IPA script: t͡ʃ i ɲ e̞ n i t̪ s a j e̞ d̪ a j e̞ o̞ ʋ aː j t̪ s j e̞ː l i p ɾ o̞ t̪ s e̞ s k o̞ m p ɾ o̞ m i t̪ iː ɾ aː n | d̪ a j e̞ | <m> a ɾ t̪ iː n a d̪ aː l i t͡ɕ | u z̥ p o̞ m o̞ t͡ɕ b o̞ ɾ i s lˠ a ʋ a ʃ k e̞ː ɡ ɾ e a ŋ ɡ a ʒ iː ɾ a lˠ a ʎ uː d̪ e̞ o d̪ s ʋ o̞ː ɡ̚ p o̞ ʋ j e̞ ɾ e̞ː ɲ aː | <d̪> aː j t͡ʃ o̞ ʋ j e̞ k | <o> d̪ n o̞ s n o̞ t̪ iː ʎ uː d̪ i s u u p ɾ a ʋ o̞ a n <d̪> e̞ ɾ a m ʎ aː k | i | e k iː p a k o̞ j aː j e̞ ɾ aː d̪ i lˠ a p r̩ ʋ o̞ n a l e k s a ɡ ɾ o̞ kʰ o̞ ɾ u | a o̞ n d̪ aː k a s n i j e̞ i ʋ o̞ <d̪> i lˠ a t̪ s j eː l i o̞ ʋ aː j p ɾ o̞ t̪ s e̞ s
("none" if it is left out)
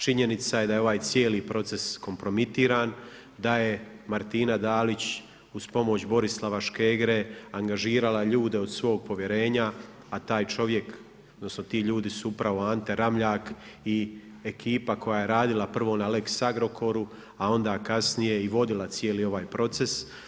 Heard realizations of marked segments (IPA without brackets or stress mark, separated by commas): m, t̪, o, t̪, d̪